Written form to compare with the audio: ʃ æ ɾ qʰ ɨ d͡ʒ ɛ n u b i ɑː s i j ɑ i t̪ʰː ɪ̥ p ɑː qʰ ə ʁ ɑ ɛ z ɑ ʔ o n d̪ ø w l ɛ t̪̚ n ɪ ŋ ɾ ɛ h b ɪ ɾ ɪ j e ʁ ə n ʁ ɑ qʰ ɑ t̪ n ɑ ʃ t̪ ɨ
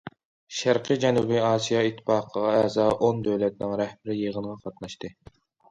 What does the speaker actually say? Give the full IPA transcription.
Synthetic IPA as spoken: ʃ æ ɾ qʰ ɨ d͡ʒ ɛ n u b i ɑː s i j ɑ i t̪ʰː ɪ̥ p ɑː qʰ ə ʁ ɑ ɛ z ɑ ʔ o n d̪ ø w l ɛ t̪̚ n ɪ ŋ ɾ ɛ h b ɪ ɾ ɪ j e ʁ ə n ʁ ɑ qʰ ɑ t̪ n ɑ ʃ t̪ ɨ